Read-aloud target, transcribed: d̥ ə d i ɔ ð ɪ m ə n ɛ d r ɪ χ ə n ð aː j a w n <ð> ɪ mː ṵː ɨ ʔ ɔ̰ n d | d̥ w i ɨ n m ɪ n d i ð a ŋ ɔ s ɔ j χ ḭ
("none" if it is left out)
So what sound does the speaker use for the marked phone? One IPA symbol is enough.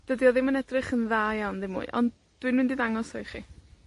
ð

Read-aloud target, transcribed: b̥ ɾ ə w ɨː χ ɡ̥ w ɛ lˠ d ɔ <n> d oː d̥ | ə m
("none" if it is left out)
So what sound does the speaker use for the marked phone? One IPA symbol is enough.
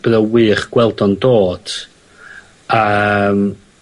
n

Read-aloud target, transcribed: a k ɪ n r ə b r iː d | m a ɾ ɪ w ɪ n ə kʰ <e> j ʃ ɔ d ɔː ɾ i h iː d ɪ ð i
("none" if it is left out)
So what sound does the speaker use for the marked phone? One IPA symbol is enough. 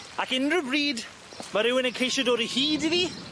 e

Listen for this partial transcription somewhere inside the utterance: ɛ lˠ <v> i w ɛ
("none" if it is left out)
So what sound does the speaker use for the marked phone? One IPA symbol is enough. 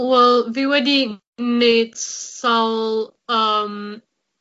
v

